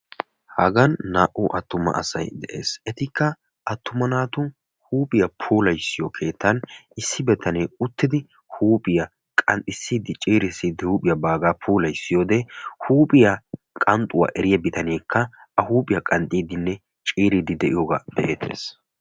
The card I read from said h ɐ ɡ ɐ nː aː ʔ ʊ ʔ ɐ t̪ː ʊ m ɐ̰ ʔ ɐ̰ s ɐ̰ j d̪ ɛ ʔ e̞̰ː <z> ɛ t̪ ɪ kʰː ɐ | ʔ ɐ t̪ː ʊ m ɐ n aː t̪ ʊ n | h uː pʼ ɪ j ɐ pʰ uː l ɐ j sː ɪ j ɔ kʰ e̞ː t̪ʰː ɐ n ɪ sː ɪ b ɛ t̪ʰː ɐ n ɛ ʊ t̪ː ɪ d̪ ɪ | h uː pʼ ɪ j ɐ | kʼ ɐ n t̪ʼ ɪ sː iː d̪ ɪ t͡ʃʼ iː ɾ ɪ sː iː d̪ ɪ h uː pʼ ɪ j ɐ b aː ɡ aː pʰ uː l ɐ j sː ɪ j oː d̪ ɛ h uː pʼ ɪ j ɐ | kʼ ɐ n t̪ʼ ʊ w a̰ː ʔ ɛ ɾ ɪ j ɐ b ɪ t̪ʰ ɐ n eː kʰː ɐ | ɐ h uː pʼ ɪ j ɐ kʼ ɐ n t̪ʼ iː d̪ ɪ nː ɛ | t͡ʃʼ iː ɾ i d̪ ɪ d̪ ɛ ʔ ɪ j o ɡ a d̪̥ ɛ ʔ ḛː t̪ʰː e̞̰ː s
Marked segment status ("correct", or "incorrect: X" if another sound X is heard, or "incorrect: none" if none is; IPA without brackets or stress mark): incorrect: s